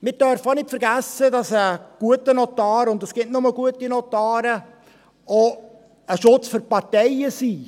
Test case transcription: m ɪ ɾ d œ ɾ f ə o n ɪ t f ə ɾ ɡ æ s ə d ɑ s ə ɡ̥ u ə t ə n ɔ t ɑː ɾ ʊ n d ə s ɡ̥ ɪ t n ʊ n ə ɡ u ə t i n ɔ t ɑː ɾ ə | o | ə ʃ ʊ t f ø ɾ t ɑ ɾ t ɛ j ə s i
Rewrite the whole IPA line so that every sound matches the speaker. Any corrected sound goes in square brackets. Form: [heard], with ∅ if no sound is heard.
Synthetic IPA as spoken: m ɪ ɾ d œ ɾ f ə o n ɪ t f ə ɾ ɡ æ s ə d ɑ s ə ɡ̥ u ə t ə n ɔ t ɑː ɾ ʊ n d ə s ɡ̥ ɪ t n ʊ [m] ə ɡ u ə t i n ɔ t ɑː ɾ ə | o | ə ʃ ʊ [t͡s] f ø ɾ [p] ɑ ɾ t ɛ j ə s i